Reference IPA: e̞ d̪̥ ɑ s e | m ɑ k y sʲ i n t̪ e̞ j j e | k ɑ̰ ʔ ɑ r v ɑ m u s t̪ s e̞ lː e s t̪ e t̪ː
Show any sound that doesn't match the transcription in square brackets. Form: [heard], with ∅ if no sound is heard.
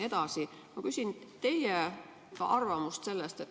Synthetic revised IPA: e̞ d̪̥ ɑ s [i] | m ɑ k y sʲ i n t̪ e̞ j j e | k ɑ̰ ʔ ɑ r v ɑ m u s t̪ s e̞ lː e s t̪ e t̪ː